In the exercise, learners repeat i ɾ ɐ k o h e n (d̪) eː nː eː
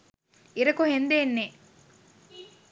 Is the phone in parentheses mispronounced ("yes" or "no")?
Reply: no